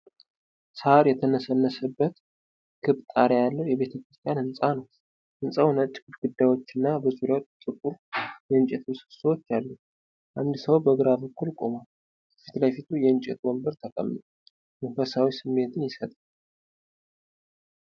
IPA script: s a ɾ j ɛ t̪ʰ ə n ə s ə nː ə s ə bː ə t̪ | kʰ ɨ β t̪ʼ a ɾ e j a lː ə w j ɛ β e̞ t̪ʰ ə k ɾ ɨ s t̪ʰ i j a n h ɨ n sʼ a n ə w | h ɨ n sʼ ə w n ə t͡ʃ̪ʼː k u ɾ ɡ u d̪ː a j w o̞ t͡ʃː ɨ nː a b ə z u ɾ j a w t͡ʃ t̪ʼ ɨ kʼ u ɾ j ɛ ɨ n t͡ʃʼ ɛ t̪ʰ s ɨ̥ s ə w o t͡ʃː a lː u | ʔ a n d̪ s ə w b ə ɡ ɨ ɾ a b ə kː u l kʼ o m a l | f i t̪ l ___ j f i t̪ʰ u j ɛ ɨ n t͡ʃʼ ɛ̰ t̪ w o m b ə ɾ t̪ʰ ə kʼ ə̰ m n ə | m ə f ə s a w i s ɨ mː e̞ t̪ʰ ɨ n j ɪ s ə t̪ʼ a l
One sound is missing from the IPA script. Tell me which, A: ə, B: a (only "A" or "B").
B